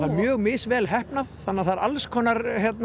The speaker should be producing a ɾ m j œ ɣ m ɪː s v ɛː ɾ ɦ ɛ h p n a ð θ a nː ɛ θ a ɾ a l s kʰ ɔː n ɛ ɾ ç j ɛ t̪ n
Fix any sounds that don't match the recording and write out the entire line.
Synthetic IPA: a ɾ m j œː ɣ m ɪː s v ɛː l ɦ ɛ h p n a ð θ a nː a θ a ɾ a l s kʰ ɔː n a ɾ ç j ɛ t̪ n